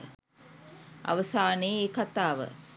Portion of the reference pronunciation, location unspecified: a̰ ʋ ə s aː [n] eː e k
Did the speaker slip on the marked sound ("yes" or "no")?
no